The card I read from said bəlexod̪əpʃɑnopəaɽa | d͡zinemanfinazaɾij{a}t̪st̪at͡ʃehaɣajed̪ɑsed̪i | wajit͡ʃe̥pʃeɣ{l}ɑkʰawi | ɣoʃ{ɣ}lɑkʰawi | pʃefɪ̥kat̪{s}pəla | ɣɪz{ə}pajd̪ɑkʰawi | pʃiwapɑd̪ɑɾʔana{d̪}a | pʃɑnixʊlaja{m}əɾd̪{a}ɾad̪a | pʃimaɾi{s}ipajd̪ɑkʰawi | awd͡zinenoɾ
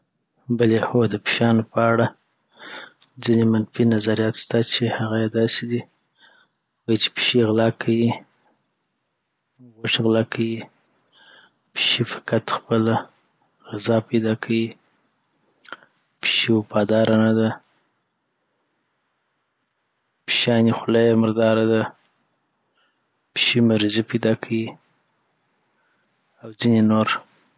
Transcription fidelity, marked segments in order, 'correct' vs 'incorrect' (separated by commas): incorrect, correct, correct, incorrect, incorrect, correct, correct, incorrect, incorrect